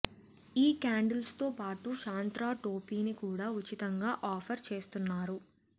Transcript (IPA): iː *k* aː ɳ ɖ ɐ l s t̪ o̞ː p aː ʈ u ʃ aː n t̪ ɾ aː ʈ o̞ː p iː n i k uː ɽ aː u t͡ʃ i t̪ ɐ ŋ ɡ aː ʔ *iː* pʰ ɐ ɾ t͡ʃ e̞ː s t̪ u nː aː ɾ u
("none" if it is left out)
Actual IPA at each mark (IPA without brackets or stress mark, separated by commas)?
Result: k, aː